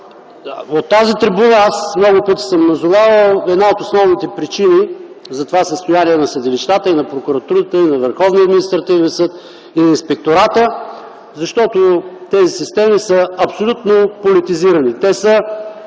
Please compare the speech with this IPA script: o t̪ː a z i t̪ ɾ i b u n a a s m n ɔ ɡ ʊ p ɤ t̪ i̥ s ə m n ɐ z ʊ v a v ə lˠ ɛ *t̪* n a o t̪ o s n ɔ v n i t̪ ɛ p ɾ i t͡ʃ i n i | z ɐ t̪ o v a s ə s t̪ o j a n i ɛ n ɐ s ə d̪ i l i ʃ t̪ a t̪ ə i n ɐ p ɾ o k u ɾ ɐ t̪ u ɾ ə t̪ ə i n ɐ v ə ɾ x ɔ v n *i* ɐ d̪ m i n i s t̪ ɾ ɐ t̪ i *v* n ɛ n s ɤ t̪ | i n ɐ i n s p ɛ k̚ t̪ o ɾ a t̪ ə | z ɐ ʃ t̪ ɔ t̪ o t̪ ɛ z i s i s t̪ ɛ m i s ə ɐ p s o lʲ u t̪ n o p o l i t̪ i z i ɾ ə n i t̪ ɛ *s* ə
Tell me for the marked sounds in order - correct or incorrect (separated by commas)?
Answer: incorrect, correct, correct, correct